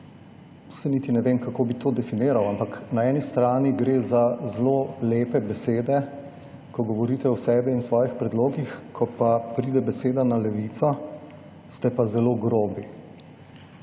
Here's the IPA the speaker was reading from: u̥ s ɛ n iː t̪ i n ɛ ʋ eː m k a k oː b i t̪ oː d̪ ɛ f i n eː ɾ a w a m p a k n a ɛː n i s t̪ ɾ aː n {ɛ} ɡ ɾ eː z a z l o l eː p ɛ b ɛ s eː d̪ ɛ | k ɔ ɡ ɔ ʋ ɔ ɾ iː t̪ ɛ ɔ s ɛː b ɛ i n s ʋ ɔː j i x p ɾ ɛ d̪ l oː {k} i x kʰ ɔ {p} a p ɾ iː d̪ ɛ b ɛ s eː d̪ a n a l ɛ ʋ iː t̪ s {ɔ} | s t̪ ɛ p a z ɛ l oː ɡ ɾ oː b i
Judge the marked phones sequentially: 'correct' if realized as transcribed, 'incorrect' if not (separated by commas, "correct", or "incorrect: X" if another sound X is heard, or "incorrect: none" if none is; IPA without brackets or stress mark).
incorrect: i, incorrect: ɡ, correct, correct